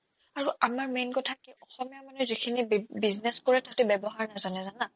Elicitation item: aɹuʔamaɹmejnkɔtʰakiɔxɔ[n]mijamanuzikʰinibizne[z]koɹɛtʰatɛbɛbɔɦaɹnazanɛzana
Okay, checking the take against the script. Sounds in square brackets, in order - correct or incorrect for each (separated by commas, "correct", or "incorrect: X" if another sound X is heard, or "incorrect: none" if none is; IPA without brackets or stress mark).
incorrect: none, incorrect: s